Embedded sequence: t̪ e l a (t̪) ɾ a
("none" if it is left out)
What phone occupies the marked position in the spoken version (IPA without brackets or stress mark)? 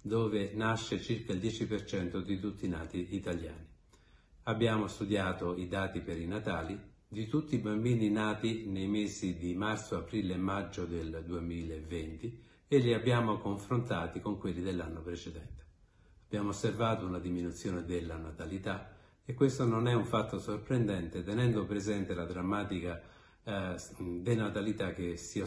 d̪